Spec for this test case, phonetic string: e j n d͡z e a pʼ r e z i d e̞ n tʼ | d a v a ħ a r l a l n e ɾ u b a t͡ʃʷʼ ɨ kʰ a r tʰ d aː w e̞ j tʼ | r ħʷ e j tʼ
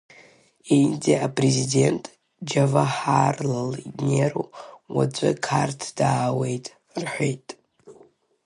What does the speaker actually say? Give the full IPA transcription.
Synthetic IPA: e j n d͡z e a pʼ r e z i d e̞ n tʼ | d͡ʒ a v a ħ a r l a l n e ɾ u w a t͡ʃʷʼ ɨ kʰ a r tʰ d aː w e̞ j tʼ | r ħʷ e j tʼ

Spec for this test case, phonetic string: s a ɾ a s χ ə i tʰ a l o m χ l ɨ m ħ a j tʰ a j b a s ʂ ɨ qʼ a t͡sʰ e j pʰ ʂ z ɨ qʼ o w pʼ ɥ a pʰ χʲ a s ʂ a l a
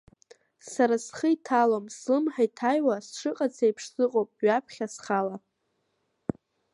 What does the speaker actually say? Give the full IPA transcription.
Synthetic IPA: s a ɾ a s χ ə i tʰ a l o m s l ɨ m ħ a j tʰ a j w a s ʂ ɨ qʼ a t͡sʰ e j pʰ ʂ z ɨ qʼ o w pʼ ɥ a pʰ χʲ a s χ a l a

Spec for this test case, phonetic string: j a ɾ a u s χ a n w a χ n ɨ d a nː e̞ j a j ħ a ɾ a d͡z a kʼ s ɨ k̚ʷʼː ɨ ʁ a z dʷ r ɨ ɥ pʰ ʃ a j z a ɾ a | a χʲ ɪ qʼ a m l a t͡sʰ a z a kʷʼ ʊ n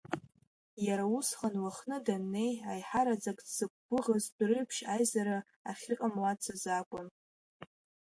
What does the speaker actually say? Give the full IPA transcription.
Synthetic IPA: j a ɾ a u s χ a n w a χ n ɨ d a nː e̞ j a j ħ a ɾ a d͡z a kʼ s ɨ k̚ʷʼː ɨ ʁ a z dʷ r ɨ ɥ pʰ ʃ a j z a ɾ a | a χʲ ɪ qʼ a m l a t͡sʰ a z a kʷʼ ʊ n

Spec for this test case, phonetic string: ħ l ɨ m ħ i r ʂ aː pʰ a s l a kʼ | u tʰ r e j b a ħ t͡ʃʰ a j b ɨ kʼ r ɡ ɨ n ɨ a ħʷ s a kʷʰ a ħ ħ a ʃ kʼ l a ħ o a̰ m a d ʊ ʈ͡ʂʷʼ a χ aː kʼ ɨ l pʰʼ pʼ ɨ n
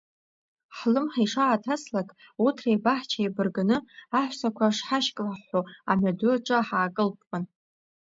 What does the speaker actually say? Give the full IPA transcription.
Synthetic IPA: ħ l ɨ m ħ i ʂ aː tʰ a s l a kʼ | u tʰ r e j b a ħ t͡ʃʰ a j b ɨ r ɡ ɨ n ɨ a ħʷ s a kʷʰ a ʂ ħ a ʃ kʼ l a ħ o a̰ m a d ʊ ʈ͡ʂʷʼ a ħ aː kʼ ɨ l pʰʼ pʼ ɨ n

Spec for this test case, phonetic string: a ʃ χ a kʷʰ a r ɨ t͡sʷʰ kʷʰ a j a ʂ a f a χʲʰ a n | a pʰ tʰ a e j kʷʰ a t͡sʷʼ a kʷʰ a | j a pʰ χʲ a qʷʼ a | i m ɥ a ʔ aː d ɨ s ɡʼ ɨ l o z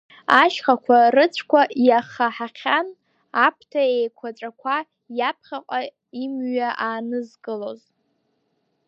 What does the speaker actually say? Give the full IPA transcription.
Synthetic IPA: a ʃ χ a kʷʰ a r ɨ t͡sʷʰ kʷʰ a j a χ a ħ a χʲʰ a n | a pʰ tʰ a e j kʷʰ a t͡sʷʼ a kʷʰ a | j a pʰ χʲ a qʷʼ a | i m ɥ a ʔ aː n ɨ z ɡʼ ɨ l o z

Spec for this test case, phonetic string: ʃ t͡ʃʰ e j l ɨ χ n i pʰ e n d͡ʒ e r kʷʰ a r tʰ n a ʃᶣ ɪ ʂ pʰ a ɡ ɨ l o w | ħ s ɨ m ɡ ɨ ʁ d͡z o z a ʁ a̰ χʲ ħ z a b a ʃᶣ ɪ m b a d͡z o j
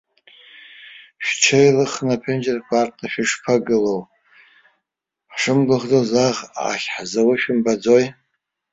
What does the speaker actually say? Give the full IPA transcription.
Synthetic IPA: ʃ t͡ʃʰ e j l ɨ χ n a pʰ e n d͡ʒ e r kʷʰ a r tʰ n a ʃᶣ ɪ ʂ pʰ a ɡ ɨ l o w | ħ ʂ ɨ m ɡ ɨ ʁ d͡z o z a ʁ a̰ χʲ ħ z a w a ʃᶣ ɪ m b a d͡z o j

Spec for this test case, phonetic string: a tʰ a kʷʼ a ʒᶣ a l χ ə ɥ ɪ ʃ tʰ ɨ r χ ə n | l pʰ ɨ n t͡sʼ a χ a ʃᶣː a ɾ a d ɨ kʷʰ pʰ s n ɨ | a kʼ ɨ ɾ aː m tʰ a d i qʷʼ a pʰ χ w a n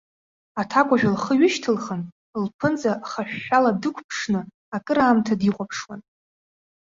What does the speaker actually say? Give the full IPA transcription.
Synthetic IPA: a tʰ a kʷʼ a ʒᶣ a l χ ə ɥ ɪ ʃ tʰ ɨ l χ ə n | l pʰ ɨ n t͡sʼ a χ a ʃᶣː a l a d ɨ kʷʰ pʰ ʂ n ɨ | a kʼ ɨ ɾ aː m tʰ a d i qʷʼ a pʰ ʂ w a n

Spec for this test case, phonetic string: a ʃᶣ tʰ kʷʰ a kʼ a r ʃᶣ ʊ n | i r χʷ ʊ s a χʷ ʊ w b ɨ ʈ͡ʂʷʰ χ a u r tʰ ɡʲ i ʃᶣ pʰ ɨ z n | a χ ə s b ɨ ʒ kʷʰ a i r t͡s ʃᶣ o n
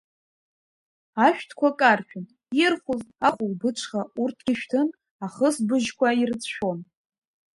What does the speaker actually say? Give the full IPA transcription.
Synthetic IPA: a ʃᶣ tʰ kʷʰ a kʼ a r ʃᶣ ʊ n | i r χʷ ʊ z a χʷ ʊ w b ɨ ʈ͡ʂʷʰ χ a u r tʰ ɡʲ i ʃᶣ tʰ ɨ n | a χ ə s b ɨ ʒ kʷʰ a i r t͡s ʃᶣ o n

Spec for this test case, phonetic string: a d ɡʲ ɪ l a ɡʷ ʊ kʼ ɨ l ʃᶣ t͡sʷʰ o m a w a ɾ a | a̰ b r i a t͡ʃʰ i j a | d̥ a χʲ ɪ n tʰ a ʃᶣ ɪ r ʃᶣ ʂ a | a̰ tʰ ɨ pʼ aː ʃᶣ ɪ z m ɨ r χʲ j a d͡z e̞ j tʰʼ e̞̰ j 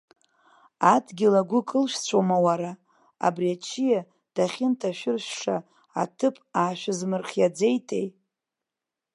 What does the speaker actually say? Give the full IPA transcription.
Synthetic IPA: a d ɡʲ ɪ l a ɡʷ ʊ kʼ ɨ l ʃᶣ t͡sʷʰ o m a w a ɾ a | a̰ b r i a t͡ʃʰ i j a | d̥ a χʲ ɪ n tʰ a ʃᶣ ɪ r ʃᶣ ʂ a | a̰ tʰ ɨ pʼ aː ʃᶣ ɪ z m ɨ r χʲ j a d͡z e̞ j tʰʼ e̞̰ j

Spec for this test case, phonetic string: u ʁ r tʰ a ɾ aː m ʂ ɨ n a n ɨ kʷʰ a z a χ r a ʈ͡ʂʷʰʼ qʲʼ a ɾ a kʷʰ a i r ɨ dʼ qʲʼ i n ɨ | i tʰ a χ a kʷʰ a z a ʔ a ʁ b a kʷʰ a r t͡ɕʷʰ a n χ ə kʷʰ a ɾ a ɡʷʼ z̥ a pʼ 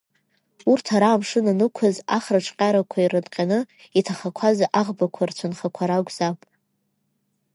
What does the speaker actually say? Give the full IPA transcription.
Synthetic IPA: u r tʰ a ɾ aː m ʂ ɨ n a n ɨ kʷʰ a z a χ r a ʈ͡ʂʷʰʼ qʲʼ a ɾ a kʷʰ a i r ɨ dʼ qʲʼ a n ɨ | i tʰ a χ a kʷʰ a z a ʔ a ʁ b a kʷʰ a r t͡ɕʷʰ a n χ a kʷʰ a ɾ a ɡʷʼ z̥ a pʼ

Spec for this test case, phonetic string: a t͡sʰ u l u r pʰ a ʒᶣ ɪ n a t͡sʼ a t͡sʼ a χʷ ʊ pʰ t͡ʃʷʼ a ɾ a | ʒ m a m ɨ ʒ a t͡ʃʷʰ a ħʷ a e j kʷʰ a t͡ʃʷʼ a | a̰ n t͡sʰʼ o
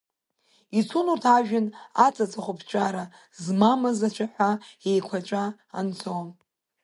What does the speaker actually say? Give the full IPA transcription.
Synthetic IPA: i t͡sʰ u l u r tʰ a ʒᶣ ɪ n a t͡sʼ a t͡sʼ a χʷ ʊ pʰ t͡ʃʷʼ a ɾ a | z m a m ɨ z a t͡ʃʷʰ a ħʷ a e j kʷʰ a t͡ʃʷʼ a | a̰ n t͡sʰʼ o

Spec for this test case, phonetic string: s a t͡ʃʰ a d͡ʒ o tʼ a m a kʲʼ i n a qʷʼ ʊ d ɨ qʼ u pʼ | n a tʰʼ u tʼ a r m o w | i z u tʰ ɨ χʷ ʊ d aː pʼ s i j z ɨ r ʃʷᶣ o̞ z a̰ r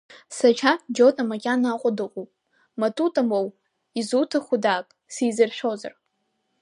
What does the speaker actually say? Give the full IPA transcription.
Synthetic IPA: s a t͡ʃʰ a d͡ʒ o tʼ a m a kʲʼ a n a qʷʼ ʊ d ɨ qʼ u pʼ | m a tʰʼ u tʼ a m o w | i z u tʰ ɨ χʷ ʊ d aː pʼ s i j z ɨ r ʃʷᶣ o̞ z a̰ r

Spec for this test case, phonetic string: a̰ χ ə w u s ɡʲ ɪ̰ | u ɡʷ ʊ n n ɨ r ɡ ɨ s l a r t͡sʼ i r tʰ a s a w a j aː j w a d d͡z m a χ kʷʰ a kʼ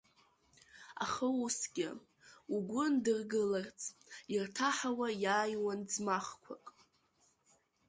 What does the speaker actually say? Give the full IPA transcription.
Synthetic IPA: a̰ χ ə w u s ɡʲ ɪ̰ | u ɡʷ ʊ n d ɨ r ɡ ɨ l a r t͡sʼ i r tʰ a ħ a w a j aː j w a n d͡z m a χ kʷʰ a kʼ

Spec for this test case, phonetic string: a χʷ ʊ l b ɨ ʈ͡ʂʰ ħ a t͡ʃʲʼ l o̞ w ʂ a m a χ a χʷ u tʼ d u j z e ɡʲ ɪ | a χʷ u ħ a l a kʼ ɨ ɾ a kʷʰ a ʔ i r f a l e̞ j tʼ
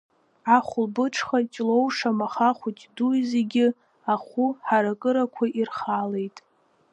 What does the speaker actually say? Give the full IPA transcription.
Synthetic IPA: a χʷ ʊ l b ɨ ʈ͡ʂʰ χ a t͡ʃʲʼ l o̞ w ʂ a m a χ a χʷ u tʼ d u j z e ɡʲ ɪ | a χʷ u ħ a ɾ a kʼ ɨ ɾ a kʷʰ a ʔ i r χ a l e̞ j tʼ

